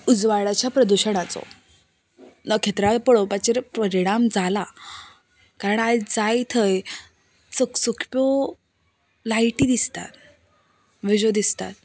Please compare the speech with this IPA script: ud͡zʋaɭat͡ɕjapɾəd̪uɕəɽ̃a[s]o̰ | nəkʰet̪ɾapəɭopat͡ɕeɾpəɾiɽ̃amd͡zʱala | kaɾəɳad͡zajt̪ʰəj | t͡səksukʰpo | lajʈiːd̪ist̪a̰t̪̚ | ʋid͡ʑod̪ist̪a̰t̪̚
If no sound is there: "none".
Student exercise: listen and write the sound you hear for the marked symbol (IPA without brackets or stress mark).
t͡s